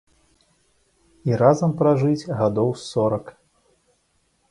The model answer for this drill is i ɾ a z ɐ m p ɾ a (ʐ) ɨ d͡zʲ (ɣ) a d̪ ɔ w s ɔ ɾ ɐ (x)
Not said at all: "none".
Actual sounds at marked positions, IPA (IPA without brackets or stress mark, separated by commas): ʐ, ɣ, k